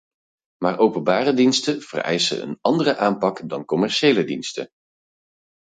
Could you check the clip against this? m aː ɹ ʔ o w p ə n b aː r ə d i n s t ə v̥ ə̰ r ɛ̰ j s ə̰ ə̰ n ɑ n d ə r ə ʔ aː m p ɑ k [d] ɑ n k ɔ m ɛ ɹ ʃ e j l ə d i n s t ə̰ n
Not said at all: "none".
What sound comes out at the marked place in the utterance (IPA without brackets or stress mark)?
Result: d